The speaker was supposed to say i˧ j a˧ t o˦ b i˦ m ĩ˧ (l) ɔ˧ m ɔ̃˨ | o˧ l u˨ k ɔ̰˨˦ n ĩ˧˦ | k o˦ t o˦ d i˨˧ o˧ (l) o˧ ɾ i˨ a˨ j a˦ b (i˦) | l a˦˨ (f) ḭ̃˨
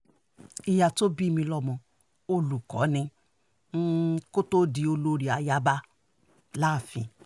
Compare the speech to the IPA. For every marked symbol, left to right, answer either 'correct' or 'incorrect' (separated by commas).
correct, correct, incorrect, correct